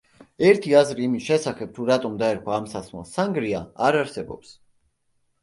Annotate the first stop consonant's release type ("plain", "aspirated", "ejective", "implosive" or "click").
aspirated